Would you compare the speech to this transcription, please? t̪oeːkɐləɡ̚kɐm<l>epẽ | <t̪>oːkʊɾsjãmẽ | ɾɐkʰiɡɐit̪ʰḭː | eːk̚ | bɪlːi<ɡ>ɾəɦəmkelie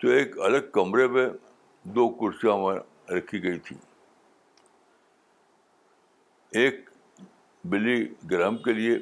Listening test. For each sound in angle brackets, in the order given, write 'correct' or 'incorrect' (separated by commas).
incorrect, incorrect, correct